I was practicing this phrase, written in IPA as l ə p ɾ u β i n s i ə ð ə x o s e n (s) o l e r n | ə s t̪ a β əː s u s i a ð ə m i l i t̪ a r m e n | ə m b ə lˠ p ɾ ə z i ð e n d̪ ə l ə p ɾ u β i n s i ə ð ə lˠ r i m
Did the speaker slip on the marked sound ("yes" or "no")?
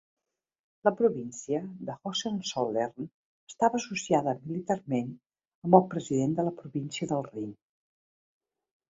no